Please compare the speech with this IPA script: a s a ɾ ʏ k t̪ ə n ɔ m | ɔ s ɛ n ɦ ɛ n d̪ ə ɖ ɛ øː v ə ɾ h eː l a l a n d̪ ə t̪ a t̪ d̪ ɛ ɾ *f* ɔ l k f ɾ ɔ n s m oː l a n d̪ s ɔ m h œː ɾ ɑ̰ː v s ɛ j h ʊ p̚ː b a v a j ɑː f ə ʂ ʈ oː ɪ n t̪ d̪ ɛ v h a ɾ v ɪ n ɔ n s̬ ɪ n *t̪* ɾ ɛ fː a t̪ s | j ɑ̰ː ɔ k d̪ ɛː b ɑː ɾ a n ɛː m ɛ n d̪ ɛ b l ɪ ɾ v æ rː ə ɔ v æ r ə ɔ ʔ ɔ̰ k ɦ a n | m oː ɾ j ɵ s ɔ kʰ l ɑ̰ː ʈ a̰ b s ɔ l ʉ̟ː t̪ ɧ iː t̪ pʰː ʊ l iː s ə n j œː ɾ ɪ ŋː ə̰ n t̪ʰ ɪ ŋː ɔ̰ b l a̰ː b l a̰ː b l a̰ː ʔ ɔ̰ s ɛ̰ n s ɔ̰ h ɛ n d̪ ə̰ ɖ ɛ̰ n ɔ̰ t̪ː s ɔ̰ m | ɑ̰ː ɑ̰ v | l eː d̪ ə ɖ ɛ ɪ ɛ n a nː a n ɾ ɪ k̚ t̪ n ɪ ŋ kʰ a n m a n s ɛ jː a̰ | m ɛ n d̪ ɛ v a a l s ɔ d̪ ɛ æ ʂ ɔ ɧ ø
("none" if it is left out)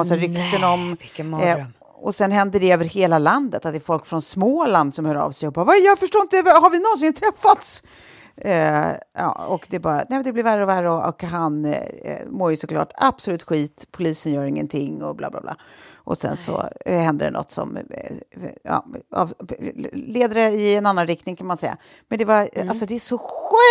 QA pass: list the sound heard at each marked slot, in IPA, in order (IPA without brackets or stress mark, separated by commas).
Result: f, t̪ʰ